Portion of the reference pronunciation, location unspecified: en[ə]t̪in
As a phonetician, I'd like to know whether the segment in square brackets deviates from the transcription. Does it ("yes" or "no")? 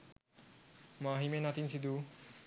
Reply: yes